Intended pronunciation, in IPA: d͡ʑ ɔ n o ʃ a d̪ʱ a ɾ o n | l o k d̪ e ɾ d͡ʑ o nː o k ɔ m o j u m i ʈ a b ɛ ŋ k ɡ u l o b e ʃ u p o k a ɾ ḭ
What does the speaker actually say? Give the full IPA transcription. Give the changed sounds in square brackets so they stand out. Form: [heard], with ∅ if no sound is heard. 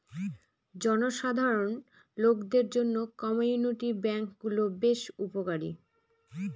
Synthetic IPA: d͡ʑ ɔ n o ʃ a d̪ʱ a ɾ o n | l o k d̪ e ɾ d͡ʑ o nː o k ɔ m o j u [n] i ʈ [i] b ɛ ŋ k ɡ u l o b e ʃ u p o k a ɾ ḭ